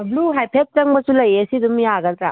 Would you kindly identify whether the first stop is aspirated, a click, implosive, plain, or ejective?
plain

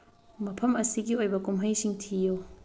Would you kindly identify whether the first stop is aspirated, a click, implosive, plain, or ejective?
aspirated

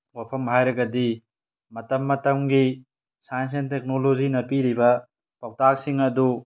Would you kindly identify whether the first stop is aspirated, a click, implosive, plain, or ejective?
aspirated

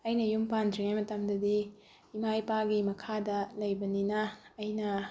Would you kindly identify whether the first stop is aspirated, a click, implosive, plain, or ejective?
plain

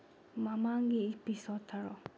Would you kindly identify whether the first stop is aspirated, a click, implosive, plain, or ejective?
plain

